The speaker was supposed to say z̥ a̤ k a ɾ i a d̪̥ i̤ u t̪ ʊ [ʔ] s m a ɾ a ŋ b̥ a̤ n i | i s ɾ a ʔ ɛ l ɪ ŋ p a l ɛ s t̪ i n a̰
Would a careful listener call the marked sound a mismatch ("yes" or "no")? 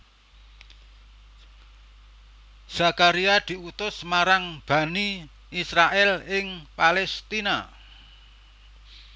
yes